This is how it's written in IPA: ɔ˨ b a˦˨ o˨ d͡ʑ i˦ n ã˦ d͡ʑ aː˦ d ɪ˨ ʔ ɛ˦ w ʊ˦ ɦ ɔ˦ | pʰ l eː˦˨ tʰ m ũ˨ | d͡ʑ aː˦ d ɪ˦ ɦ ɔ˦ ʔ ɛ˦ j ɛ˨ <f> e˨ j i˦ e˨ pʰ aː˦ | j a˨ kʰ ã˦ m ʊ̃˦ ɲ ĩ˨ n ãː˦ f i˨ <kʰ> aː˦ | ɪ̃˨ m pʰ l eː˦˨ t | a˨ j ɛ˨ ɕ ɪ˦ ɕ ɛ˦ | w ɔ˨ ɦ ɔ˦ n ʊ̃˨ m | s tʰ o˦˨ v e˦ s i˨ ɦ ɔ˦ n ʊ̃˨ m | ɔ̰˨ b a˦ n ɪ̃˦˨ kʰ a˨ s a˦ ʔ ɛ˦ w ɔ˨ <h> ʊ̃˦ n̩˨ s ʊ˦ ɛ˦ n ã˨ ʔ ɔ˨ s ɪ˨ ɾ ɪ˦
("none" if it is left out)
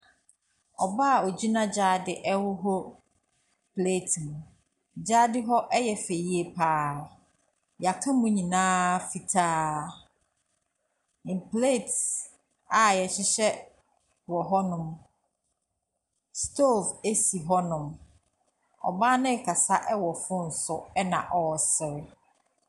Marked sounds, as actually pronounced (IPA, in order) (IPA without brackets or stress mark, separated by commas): f, tʰ, f